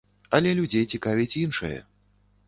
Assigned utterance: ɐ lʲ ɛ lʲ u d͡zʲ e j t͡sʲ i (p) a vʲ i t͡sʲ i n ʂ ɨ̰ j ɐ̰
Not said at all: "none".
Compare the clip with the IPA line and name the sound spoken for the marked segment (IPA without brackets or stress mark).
k